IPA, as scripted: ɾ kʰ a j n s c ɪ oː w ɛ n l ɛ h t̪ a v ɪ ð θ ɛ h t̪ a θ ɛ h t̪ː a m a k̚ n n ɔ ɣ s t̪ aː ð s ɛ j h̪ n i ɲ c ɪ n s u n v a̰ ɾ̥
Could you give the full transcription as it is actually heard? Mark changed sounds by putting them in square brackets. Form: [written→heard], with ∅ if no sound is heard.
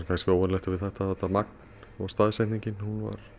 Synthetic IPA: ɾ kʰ a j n s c ɪ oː w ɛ n l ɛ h t̪ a v ɪ ð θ ɛ h t̪ a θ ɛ h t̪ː a m a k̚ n n ɔ ɣ s t̪ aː ð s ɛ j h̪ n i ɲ c ɪ n [s→h] u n v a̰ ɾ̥